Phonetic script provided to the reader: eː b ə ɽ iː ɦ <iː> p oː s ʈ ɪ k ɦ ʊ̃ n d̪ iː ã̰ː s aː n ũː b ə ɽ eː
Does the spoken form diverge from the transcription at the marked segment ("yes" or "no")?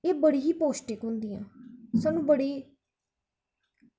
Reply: no